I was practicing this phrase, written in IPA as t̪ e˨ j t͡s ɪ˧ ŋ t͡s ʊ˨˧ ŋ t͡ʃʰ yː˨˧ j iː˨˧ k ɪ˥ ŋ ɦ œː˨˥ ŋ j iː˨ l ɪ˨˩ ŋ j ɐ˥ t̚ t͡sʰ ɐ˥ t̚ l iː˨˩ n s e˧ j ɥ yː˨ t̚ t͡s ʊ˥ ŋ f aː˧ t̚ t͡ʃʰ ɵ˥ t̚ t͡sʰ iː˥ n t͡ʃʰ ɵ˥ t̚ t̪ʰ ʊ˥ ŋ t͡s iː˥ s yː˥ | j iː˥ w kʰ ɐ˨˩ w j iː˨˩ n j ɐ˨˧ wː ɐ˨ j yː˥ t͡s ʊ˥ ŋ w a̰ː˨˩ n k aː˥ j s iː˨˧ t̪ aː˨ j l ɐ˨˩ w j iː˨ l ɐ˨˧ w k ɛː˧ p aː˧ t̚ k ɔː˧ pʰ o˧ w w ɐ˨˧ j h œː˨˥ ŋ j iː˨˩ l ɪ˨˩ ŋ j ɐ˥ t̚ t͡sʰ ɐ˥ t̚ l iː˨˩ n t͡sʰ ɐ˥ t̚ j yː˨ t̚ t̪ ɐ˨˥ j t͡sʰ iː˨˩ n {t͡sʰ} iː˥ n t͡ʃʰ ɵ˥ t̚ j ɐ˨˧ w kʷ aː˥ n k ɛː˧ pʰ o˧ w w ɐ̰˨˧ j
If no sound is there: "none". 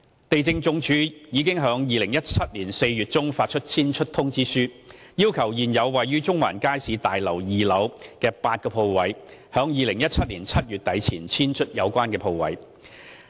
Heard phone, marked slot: t͡sʰ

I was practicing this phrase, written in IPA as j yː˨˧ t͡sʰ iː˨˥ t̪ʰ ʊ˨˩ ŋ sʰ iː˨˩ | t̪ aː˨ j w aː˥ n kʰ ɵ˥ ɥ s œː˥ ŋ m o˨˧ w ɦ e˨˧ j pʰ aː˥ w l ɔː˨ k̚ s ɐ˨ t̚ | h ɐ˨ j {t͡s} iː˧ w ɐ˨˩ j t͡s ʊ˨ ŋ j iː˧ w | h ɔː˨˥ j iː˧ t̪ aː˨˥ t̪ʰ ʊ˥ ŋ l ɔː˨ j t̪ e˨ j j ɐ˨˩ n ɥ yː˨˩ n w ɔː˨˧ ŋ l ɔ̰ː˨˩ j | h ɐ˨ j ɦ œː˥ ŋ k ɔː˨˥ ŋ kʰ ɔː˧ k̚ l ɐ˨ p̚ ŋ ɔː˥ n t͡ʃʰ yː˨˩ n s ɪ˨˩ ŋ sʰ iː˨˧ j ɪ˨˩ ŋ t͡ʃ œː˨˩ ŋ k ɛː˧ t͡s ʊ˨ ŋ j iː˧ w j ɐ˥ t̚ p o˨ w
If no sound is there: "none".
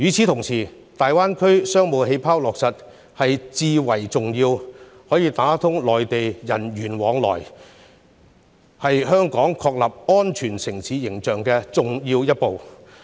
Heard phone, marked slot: t͡s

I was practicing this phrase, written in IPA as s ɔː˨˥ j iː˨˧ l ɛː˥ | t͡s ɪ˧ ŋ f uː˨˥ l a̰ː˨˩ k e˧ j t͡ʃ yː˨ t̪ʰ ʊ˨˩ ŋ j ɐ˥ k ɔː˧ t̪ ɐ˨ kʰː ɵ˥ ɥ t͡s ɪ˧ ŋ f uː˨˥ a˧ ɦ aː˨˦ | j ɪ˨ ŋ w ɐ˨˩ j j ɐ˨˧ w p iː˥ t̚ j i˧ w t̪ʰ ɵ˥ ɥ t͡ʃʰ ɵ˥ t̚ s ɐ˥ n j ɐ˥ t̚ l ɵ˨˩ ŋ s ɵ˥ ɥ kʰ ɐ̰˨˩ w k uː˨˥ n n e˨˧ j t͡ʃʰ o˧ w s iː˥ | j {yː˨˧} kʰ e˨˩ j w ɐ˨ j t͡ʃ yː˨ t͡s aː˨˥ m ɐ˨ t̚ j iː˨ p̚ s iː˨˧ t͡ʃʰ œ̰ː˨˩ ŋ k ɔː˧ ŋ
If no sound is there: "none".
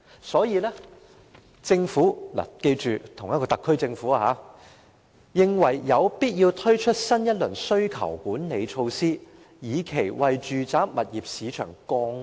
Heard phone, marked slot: iː˨˧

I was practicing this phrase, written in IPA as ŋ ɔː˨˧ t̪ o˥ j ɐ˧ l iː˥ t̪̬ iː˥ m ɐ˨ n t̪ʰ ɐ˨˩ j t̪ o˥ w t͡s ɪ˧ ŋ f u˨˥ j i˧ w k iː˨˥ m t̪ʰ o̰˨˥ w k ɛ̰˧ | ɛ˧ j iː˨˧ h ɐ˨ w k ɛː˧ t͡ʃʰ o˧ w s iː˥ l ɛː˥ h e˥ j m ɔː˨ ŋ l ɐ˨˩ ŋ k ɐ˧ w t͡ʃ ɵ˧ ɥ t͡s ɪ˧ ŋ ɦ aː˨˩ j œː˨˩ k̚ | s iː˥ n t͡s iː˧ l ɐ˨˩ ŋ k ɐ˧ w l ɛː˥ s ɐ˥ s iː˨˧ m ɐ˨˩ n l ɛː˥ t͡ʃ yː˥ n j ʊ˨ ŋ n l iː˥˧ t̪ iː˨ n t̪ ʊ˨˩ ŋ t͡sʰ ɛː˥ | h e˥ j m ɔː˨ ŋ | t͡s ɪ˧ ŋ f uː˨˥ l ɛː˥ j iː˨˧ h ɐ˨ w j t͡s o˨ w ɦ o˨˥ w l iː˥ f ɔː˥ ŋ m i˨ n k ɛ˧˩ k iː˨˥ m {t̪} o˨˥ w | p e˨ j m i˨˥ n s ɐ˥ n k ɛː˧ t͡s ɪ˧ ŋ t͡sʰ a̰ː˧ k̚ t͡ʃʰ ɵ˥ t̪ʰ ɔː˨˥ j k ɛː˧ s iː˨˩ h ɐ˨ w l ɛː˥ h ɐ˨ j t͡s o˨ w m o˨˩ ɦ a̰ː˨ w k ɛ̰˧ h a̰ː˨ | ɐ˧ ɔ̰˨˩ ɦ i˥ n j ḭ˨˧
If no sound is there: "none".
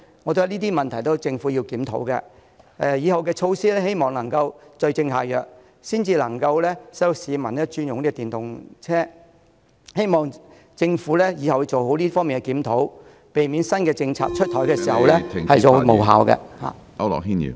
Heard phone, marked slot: t̪ʰ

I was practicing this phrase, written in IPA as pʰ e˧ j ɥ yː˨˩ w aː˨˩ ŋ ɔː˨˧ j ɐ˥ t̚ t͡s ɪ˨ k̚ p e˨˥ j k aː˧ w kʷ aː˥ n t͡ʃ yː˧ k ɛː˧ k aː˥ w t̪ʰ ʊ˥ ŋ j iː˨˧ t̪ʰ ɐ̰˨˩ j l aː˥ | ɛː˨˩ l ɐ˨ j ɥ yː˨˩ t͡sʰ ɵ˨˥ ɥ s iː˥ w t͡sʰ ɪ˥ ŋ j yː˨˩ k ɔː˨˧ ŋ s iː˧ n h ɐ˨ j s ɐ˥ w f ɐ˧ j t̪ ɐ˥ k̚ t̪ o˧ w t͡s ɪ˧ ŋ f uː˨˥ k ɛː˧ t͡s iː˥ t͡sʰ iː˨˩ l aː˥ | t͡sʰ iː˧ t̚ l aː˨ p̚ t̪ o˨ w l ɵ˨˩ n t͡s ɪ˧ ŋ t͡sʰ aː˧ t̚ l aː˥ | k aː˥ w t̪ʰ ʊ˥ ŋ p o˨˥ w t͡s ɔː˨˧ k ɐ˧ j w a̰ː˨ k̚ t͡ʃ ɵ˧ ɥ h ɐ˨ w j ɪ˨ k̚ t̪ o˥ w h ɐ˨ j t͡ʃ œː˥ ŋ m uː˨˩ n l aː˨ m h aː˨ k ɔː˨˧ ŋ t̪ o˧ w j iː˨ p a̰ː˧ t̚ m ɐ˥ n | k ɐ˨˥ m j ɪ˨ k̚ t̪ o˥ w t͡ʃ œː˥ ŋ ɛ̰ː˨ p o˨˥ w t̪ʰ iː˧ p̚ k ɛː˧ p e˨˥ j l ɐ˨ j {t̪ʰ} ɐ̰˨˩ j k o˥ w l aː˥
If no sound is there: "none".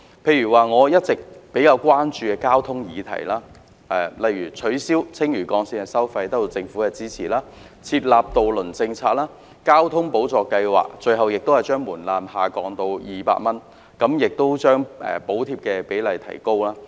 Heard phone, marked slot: t̪ʰ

